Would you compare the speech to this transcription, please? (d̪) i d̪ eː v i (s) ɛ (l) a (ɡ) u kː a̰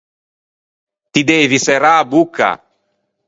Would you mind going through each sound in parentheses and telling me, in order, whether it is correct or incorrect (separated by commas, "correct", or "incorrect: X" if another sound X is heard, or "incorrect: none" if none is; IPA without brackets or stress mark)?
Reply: incorrect: t̪, correct, incorrect: ɾ, incorrect: b